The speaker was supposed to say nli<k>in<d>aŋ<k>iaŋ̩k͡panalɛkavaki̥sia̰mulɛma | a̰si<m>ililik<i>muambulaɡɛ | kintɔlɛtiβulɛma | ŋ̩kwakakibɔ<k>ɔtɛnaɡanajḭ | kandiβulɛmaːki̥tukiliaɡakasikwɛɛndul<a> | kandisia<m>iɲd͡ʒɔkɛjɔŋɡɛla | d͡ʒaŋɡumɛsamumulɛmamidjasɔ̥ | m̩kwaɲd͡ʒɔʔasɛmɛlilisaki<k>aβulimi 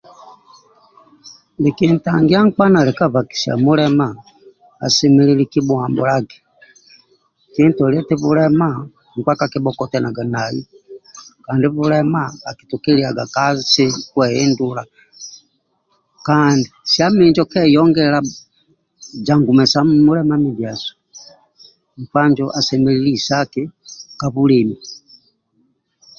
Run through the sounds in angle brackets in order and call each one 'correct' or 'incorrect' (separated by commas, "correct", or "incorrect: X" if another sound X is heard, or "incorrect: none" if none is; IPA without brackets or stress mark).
correct, incorrect: t, incorrect: ɡ, correct, correct, correct, correct, correct, correct